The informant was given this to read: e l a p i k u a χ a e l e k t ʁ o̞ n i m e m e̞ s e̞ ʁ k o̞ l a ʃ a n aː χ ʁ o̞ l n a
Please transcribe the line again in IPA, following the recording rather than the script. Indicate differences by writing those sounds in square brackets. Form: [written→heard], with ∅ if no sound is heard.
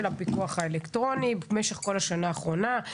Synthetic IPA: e l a p i k u a χ a e l e k t ʁ o̞ n i [m→b] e m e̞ [s→ʃ] e̞ [ʁ→χ] k o̞ l a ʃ a n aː χ ʁ o̞ [l→∅] n a

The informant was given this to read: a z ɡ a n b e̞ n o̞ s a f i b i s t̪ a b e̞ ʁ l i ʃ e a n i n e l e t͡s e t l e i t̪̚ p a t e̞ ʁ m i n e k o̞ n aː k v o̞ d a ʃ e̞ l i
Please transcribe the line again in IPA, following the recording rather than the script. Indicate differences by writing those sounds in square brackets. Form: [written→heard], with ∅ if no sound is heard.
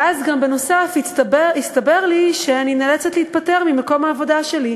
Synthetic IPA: a z ɡ a [n→m] b e̞ n o̞ s a f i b i s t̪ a b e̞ ʁ l i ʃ e a n i n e l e t͡s e t l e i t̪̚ p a t e̞ ʁ m i [n→m] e k o̞ [n→m] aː [k→∅] v o̞ d a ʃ e̞ l i

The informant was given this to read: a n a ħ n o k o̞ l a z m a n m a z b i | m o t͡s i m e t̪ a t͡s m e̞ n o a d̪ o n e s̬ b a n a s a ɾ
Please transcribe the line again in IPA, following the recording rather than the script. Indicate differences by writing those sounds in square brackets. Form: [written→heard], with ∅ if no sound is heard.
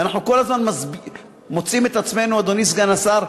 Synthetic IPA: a n a ħ n [o→u] k o̞ l a z m a n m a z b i | m o t͡s i m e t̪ a t͡s m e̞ n [o→u] a d̪ o n [e→i] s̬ [b→ɡ] a n a s a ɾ

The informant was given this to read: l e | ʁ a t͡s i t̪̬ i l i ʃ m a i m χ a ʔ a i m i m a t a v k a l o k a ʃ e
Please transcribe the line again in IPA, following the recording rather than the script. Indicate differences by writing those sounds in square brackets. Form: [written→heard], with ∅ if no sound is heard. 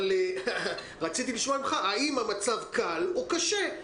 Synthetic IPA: l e | ʁ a t͡s i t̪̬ i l i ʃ m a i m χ a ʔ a i m [i→a] m a [t→t͡s] a v k a l o k a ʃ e

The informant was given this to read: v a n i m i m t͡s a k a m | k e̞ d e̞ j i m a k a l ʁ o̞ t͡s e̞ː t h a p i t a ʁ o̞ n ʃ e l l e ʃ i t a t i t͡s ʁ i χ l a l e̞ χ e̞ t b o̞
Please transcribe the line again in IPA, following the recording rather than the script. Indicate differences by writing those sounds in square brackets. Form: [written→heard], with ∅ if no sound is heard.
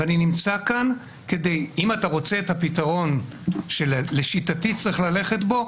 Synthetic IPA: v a n i [m→n] i m t͡s a k a [m→n] | k e̞ d e̞ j i m a [k→t] a [l→∅] ʁ o̞ t͡s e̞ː t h a p i t a ʁ o̞ n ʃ e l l e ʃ i t a t i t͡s ʁ i χ l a l e̞ χ e̞ t b o̞

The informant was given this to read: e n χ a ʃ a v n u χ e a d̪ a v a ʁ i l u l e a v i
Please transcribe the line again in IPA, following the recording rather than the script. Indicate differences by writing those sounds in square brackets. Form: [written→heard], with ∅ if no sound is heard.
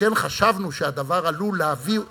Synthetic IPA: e n χ a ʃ a v n u [χ→ʃ] e a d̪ a v a ʁ [i→a] l u l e a v i

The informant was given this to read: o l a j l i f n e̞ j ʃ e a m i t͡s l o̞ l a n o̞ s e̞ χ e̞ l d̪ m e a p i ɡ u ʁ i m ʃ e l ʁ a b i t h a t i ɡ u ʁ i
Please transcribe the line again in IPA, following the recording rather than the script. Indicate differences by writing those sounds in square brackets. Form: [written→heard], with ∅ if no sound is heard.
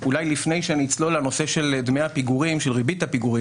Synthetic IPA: [o→u] l a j l i f n e̞ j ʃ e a [m→n] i t͡s l o̞ l a n o̞ s e̞ [χ→ʃ] e̞ l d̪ m e a p i ɡ u ʁ i m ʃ e l ʁ [a→i] b i t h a [t→p] i ɡ u ʁ i

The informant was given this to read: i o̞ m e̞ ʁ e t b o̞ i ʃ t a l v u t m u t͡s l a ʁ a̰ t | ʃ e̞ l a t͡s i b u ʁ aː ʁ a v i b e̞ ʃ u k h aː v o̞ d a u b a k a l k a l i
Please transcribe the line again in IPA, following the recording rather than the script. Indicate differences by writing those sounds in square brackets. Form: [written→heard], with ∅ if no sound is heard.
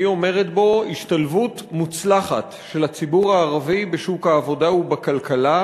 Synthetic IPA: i o̞ m e̞ ʁ e t b o̞ i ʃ t a l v u t m u t͡s l a [ʁ→χ] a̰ t | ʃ e̞ l a t͡s i b u ʁ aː ʁ a v i b e̞ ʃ u k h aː v o̞ d a u b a k a l k a l [i→a]

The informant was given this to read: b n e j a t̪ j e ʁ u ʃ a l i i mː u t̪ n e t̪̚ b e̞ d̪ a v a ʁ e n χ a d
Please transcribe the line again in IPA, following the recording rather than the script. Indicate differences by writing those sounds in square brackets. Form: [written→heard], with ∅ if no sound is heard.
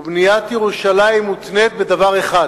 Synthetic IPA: b n [e→i] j a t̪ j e ʁ u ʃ a l [i→a] i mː u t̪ n e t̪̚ b e̞ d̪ a v a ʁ e [n→∅] χ a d

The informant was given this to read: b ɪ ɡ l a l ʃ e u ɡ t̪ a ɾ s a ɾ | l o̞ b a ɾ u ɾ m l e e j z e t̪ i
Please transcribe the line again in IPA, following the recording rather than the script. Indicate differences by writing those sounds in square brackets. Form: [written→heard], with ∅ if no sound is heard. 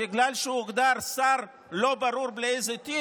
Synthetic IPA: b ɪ ɡ l a l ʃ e u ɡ [t̪→d̪] a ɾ s a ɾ | l o̞ b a ɾ u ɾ [m→b] l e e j z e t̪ i

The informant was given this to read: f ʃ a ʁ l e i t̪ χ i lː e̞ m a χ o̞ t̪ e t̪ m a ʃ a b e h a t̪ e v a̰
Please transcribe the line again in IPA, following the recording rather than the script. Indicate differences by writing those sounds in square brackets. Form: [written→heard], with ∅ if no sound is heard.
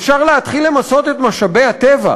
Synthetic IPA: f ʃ a ʁ l e [i→a] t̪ χ i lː e̞ m a [χ→s] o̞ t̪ e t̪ m a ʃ a b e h a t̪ e v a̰

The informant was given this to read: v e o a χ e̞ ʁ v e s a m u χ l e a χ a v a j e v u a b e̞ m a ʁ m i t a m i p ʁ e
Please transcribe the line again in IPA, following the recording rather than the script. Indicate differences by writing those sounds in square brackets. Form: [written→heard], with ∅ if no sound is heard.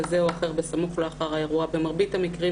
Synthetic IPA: [v→z] e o a χ e̞ ʁ [v→b] e s a m u χ l e a χ a [v→ʁ] a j e [v→ʁ] u a b e̞ m a ʁ [m→b] i t a m i [p→k] ʁ [e→i]

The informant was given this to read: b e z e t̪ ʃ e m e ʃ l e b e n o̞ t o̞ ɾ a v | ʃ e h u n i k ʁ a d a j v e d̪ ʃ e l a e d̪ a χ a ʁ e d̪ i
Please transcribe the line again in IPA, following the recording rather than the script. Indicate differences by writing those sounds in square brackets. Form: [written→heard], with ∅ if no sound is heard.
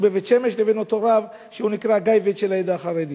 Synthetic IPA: b e [z→v] e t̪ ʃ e m e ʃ l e [b→v] e n o̞ t o̞ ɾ a v | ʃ e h u n i k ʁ a [d→ɡ] a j v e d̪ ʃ e l a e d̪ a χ a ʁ e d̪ i

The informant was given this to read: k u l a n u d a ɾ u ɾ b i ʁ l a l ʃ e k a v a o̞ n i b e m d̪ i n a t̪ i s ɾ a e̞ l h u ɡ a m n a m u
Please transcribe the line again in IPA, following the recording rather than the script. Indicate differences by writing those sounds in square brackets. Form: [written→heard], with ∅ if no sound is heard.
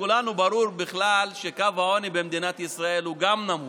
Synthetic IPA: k u l a n u [d→b] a ɾ u ɾ b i [ʁ→χ] l a l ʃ e k a v a o̞ n i b e m d̪ i n a t̪ i s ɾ a e̞ l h u ɡ a m n a m u

